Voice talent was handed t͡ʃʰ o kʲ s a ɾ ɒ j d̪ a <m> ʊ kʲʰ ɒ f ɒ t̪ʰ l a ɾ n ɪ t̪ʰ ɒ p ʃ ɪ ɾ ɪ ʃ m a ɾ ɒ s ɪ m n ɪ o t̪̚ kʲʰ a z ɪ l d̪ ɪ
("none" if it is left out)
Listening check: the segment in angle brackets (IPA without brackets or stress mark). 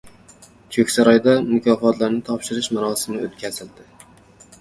m